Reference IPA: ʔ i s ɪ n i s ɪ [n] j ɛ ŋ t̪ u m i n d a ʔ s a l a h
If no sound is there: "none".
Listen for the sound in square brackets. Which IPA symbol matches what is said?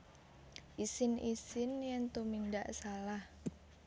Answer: n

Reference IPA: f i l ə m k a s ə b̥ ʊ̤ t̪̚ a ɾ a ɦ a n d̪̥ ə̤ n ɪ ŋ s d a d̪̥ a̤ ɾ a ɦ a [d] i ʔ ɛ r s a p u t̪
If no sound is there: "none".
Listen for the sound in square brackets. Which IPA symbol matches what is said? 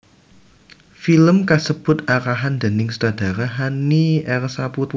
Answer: n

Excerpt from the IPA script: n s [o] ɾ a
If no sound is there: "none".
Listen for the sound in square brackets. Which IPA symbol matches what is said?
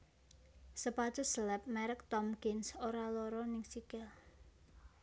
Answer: o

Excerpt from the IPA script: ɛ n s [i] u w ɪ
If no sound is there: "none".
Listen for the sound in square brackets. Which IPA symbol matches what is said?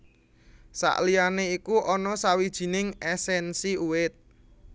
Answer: i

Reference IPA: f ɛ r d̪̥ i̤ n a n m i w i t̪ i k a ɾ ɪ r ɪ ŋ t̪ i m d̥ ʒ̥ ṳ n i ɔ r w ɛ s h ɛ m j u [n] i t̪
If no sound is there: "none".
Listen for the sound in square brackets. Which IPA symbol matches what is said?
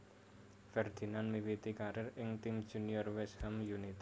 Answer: n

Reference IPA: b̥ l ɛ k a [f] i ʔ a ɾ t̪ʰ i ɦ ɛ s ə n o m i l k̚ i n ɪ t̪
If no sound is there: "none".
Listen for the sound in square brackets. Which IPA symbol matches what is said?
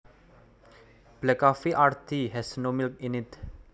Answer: f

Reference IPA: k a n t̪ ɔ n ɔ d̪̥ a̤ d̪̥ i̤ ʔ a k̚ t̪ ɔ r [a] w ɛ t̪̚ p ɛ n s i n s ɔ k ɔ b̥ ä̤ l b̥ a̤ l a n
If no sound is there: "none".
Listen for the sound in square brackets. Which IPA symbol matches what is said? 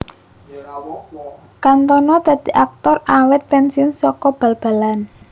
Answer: a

